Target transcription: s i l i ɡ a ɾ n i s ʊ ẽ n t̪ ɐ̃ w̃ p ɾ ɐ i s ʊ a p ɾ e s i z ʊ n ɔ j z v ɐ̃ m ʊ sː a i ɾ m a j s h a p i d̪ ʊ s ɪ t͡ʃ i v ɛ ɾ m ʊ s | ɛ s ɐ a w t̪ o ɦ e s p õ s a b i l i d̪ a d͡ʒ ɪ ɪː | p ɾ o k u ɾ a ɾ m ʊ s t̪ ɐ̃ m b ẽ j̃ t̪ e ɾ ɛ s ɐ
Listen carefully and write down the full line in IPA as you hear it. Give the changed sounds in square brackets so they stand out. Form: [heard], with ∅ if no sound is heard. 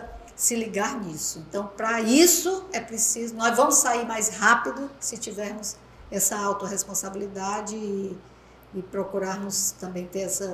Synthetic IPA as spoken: s [ɪ] l i ɡ a ɾ n i s ʊ ẽ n t̪ ɐ̃ w̃ p ɾ ɐ i s ʊ [ɛ] p ɾ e s i z ʊ n ɔ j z v ɐ̃ m ʊ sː a i ɾ m a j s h a p i d̪ ʊ s ɪ t͡ʃ i v ɛ ɾ m ʊ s | ɛ s ɐ a w t̪ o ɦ e s p õ s a b i l i d̪ a d͡ʒ ɪ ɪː | p ɾ o k u ɾ a ɾ m ʊ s t̪ ɐ̃ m b ẽ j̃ t̪ e ɾ ɛ s ɐ